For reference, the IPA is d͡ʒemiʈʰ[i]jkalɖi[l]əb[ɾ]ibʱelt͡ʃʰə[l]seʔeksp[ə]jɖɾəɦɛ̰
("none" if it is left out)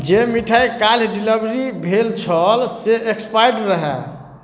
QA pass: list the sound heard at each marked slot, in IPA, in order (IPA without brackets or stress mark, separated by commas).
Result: a, l, ɾ, l, a